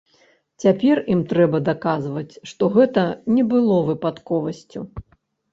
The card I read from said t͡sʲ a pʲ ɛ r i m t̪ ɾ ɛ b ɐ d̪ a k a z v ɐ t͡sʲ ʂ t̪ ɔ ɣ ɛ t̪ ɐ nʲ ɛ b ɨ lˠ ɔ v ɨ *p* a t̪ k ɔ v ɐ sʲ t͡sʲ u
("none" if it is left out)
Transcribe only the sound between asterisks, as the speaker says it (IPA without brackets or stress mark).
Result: p